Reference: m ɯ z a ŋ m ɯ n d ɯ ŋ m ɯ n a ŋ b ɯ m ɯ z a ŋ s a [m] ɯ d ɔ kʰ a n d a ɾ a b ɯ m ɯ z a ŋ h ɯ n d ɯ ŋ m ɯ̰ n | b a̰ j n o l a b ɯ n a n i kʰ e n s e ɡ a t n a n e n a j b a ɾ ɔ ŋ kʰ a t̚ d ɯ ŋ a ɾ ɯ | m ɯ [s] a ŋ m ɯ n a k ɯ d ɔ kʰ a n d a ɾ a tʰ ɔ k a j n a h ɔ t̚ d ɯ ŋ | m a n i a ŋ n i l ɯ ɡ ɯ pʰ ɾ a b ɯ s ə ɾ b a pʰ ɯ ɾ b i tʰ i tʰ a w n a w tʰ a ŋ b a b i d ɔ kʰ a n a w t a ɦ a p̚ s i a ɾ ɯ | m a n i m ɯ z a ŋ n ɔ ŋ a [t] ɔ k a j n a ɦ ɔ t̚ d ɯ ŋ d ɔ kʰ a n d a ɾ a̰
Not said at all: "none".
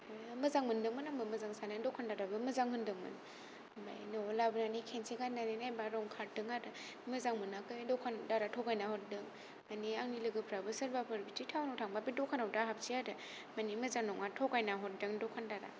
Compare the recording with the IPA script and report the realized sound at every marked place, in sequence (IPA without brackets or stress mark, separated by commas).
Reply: n, z, tʰ